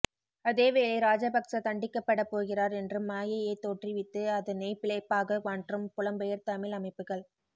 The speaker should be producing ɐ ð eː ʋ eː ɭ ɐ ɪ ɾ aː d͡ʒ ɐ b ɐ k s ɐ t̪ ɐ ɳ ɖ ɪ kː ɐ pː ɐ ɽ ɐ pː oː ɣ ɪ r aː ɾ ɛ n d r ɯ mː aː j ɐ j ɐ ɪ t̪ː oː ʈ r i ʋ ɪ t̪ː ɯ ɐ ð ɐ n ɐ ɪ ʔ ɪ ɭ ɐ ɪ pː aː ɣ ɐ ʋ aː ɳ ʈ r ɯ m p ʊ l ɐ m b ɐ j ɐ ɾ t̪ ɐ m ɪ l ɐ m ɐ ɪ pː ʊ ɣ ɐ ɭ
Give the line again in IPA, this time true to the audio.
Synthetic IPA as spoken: ɐ ð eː ʋ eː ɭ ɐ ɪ ɾ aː d͡ʒ ɐ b ɐ k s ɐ t̪ ɐ ɳ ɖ ɪ kː ɐ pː ɐ ɽ ɐ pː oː ɣ ɪ r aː ɾ ɛ n d r ɯ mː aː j ɐ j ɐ ɪ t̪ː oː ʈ r i ʋ ɪ t̪ː ɯ ɐ ð ɐ n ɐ ɪ p ɪ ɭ ɐ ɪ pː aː ɣ ɐ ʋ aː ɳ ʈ r ɯ m p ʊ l ɐ m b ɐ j ɐ ɾ t̪ ɐ m ɪ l ɐ m ɐ ɪ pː ɯ ɣ ɐ ɭ